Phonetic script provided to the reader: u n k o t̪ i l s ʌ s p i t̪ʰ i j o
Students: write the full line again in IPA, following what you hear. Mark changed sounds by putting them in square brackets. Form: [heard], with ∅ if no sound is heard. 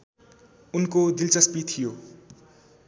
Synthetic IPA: u n k o [d̪] i l [t͡s] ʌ s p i t̪ʰ i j o